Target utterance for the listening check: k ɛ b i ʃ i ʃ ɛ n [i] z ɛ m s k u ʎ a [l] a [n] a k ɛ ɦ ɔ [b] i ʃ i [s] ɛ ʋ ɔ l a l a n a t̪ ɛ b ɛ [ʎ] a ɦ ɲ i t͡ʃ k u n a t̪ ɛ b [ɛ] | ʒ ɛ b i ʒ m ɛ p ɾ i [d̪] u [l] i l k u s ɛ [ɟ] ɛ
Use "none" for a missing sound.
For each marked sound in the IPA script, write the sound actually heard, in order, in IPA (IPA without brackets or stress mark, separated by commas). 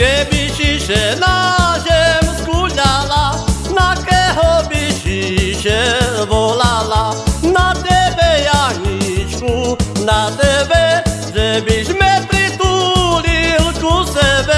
a, l, n, b, ʃ, j, ɛ, t̪, l, b